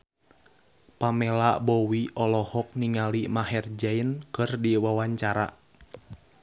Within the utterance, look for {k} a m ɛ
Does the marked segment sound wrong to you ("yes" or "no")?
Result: yes